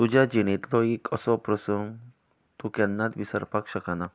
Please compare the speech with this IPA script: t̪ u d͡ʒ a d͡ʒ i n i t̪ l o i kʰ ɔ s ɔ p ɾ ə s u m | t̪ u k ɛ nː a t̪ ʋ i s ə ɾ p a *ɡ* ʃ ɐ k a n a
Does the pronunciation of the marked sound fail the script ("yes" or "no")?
yes